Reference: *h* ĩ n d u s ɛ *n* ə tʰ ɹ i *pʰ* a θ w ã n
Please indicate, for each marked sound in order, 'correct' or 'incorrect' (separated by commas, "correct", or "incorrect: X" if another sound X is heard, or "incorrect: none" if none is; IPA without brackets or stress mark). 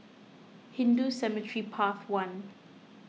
correct, incorrect: m, correct